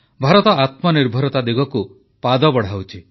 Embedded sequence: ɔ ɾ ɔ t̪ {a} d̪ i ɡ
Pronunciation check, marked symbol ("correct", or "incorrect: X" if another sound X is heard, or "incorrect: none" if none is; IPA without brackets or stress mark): correct